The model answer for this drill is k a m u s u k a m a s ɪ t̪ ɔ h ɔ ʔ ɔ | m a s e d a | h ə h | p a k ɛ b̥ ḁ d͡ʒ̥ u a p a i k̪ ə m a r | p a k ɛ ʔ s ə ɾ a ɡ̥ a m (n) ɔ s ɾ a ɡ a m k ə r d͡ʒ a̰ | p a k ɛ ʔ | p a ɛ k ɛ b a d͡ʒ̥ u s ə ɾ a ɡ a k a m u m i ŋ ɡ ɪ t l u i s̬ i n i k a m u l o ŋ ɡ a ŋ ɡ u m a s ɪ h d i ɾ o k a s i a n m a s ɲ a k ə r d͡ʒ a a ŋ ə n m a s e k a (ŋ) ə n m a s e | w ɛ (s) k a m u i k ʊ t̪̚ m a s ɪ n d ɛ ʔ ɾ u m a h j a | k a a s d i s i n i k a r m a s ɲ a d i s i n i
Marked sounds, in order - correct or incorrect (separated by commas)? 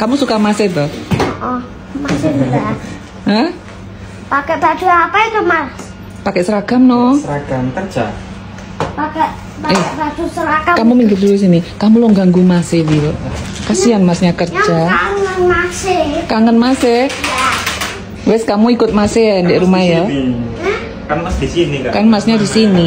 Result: correct, correct, correct